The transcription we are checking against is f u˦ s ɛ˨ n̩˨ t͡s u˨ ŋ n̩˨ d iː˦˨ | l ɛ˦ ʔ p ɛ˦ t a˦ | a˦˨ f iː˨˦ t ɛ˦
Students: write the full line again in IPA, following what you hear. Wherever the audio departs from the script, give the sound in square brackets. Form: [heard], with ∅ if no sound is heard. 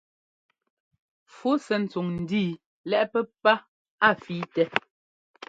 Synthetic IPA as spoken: f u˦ s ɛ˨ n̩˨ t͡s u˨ ŋ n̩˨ d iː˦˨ | l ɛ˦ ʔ p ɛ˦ [p] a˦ | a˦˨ f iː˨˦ t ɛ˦